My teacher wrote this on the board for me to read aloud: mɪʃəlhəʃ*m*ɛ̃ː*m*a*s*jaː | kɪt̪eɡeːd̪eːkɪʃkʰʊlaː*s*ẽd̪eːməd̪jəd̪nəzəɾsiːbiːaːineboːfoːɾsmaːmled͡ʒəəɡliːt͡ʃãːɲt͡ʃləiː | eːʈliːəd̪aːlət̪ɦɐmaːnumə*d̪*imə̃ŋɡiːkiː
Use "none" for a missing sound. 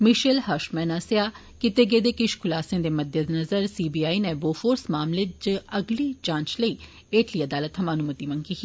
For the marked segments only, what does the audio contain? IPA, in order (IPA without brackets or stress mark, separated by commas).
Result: m, n, s, s, t̪